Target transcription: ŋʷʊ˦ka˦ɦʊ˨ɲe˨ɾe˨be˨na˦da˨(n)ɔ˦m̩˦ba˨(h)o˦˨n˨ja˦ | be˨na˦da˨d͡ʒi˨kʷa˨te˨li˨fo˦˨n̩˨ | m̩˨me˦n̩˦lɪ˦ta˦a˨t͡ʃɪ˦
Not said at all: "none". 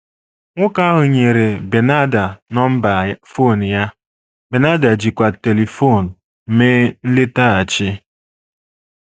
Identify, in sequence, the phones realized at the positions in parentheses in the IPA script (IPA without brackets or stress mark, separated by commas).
n, f